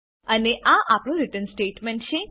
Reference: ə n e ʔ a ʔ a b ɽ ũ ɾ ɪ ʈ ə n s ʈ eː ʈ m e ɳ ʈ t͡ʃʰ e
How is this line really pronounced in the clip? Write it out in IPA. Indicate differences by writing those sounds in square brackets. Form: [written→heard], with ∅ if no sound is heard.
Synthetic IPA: ə n e ʔ a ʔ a [b→p] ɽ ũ ɾ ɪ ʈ ə n s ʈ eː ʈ m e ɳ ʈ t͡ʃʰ e

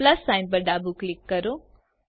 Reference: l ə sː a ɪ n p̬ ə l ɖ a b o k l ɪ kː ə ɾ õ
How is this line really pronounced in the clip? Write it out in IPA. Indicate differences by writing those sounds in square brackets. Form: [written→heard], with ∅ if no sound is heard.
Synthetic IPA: l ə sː a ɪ n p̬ ə [l→ɾ] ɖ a b [o→u] k l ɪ kː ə ɾ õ

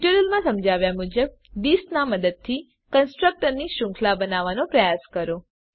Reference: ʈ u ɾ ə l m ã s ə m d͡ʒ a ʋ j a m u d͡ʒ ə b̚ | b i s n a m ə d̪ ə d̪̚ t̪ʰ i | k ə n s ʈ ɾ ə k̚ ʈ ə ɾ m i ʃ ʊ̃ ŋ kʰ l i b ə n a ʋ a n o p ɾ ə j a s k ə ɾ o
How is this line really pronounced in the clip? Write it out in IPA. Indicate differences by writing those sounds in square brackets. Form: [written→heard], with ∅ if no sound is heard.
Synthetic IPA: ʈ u ɾ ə l m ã s ə m d͡ʒ a ʋ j a m u d͡ʒ ə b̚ | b i s n a m ə d̪ ə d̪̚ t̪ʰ i | k ə n s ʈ ɾ ə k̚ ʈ ə ɾ [m→n] i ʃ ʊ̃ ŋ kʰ l [i→a] b ə n a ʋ a n o p ɾ ə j a s k ə ɾ o

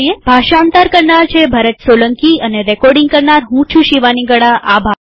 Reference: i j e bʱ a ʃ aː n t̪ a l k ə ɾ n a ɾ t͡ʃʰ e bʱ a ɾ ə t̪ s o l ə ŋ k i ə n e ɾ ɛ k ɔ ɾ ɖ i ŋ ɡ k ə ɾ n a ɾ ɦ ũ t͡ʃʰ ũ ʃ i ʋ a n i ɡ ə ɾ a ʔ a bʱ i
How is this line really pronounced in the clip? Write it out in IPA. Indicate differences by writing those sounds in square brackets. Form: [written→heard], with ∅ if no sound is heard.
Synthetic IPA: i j e bʱ a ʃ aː n t̪ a [l→ɾ] k ə ɾ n a ɾ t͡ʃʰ e bʱ a ɾ ə t̪ s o l ə ŋ k i ə n e ɾ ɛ k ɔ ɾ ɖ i ŋ ɡ k ə ɾ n a ɾ ɦ ũ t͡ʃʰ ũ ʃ i ʋ a n i ɡ ə [ɾ→ɽ] a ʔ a bʱ [i→a]

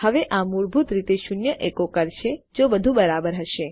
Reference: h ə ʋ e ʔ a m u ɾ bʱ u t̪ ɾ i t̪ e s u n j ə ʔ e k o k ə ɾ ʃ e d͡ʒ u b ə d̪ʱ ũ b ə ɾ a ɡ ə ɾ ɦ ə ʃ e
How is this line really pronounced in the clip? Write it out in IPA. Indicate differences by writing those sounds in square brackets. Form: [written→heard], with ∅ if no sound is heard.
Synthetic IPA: h ə ʋ e ʔ a m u ɾ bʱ u t̪ ɾ i t̪ e [s→ʃ] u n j ə ʔ e k o k ə ɾ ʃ e d͡ʒ [u→o] b ə d̪ʱ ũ b ə ɾ a [ɡ→b] ə ɾ ɦ ə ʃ e

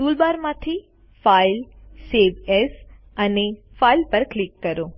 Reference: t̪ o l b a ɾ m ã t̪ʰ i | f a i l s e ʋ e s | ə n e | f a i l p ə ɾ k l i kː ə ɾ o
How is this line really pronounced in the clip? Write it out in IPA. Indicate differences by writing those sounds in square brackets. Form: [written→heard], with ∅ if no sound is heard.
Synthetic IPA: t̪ [o→u] l b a ɾ m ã t̪ʰ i | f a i l s e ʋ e s | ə n e | f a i l p ə ɾ k l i kː ə ɾ o

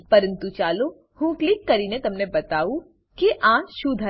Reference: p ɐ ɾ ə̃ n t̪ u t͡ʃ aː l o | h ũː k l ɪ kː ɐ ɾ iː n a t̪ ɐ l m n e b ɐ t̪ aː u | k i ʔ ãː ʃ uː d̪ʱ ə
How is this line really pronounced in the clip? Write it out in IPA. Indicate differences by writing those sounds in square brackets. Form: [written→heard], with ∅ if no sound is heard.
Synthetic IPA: p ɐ ɾ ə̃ n t̪ u t͡ʃ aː l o | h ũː k l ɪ kː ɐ ɾ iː n [a→e] t̪ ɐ [l→∅] m n e b ɐ t̪ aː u | k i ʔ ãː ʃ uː d̪ʱ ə

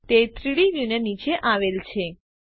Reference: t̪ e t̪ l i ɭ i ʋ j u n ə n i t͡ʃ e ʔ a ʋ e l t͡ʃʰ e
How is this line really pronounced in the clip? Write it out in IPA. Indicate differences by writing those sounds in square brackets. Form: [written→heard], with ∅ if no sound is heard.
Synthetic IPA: t̪ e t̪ [l→ɾ] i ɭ i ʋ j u n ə n i t͡ʃ e ʔ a ʋ e l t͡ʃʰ e

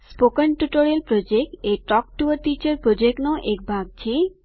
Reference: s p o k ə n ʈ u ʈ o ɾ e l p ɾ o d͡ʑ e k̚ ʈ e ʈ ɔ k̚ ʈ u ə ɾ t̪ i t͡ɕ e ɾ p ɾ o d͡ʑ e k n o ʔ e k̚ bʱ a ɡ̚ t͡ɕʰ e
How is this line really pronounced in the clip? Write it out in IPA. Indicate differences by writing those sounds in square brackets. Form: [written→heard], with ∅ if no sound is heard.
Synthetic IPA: s p o k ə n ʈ u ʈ o ɾ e l p ɾ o d͡ʑ e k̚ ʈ e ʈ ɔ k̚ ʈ u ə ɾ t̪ i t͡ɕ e ɾ p ɾ o d͡ʑ e k n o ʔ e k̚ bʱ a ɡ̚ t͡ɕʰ e

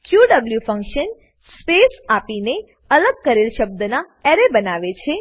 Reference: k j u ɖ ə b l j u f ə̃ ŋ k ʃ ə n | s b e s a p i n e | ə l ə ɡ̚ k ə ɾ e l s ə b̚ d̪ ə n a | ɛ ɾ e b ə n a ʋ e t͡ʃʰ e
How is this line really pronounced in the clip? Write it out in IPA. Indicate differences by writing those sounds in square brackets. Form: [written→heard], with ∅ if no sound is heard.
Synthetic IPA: k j u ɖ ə b l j u f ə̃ ŋ k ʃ ə n | s [b→p] e s a p i n e | ə l ə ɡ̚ k ə ɾ e l [s→ʃ] ə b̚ d̪ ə n a | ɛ ɾ e b ə n a ʋ e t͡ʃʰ e

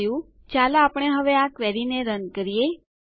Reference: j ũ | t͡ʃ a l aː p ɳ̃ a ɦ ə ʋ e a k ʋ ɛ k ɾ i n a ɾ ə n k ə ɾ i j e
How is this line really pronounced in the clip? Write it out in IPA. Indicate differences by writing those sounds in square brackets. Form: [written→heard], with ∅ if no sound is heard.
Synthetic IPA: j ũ | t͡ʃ a l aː p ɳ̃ [a→e] ɦ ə ʋ e a k ʋ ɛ [k→∅] ɾ i n [a→e] ɾ ə n k ə ɾ i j e

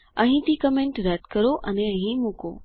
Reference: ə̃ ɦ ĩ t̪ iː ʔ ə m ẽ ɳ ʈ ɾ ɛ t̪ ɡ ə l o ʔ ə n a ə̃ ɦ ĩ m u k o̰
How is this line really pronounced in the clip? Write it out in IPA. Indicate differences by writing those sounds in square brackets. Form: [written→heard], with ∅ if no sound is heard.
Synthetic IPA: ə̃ ɦ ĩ t̪ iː [ʔ→k] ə m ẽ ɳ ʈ ɾ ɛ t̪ [ɡ→k] ə [l→ɾ] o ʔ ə n [a→e] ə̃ ɦ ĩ m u k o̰

